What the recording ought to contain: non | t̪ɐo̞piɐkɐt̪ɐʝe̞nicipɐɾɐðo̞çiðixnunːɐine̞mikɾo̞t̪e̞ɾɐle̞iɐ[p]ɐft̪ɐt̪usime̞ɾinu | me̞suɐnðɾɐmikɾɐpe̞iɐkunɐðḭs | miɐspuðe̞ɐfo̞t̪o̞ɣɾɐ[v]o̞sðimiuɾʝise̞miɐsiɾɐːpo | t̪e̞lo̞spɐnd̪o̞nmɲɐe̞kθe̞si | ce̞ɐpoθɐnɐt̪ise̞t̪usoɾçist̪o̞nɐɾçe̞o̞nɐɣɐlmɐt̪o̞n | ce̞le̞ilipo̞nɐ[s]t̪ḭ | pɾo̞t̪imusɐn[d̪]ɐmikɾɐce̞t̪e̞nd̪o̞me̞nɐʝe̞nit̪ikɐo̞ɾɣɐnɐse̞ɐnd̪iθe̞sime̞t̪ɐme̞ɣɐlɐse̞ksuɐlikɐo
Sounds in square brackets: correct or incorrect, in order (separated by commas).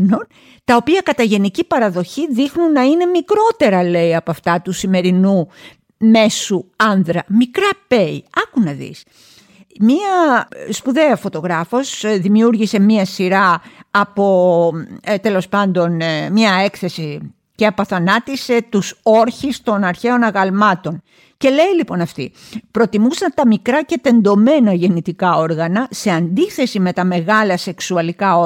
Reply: correct, incorrect, incorrect, incorrect